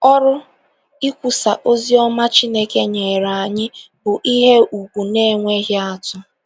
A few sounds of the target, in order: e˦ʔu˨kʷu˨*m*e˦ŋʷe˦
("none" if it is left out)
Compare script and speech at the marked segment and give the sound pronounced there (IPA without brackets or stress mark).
n